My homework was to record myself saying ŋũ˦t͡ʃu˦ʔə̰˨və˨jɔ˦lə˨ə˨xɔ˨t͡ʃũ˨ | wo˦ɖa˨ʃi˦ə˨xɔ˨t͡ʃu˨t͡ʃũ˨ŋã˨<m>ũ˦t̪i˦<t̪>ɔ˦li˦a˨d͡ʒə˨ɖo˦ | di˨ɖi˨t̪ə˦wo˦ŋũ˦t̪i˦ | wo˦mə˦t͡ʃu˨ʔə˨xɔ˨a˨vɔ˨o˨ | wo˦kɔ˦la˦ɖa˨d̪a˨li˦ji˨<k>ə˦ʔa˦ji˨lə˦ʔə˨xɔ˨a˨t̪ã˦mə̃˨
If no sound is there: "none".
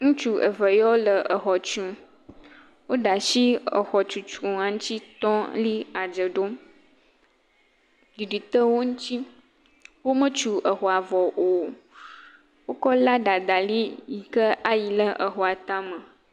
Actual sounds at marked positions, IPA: ŋ, t̪, k

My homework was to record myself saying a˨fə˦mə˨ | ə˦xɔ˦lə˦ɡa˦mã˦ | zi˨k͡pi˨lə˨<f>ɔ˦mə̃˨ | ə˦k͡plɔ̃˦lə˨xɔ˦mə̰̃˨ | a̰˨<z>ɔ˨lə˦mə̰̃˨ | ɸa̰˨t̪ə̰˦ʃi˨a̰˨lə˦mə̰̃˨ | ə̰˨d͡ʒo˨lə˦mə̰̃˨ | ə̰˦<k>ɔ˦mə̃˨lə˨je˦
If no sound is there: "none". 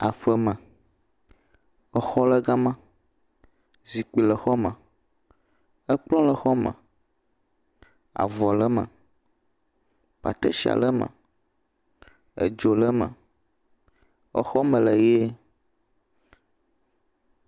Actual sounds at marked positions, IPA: x, v, x

